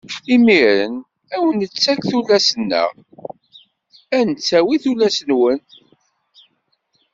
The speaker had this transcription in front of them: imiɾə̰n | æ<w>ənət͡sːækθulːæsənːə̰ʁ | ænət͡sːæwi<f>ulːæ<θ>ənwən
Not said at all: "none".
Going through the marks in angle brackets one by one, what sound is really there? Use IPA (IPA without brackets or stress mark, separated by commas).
w, θ, s